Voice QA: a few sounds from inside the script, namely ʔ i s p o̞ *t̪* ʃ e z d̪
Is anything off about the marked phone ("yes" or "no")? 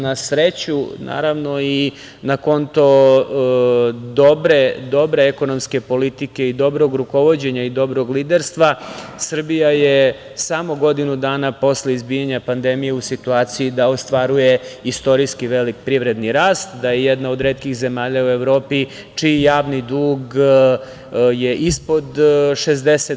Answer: yes